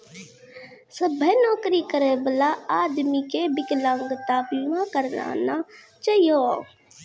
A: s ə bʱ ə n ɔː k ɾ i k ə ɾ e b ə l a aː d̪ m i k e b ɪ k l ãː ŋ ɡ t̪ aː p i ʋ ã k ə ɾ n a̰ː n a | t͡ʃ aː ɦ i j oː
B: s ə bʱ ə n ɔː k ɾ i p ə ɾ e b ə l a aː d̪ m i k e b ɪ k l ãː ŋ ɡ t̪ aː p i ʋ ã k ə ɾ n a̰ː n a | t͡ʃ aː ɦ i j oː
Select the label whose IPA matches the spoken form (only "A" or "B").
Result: A